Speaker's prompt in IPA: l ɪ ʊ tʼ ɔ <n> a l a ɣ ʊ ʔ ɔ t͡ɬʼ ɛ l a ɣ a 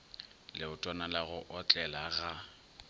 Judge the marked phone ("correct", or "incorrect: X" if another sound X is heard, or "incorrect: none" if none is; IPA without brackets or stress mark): correct